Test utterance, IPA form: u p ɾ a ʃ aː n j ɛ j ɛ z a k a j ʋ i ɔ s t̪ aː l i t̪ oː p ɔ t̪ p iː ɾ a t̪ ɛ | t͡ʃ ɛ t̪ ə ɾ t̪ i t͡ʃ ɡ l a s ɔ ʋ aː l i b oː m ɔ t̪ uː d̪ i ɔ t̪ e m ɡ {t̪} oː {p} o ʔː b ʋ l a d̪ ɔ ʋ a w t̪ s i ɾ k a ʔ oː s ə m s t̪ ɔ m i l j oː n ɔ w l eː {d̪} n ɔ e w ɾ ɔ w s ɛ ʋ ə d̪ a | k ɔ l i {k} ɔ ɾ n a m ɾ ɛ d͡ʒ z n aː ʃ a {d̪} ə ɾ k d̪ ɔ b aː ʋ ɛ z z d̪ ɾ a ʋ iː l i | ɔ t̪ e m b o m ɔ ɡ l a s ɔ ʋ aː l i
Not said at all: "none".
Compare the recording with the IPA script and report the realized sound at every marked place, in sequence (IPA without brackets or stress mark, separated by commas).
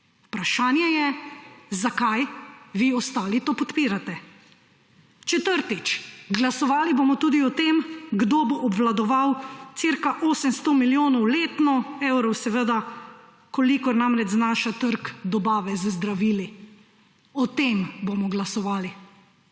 d̪, b, t̪, k, t̪